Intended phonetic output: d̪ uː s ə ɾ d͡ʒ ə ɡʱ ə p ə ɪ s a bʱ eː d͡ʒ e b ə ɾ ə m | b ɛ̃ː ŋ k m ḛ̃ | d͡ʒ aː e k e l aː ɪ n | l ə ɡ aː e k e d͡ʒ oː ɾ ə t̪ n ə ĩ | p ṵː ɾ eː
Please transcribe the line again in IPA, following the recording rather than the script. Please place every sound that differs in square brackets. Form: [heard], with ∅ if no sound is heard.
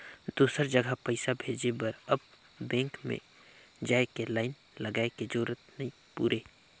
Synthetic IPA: d̪ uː s ə ɾ d͡ʒ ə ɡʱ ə p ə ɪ s a bʱ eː d͡ʒ e b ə ɾ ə [b] | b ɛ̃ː ŋ k m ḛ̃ | d͡ʒ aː e k e l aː ɪ n | l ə ɡ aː e k e d͡ʒ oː ɾ ə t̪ n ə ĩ | p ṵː ɾ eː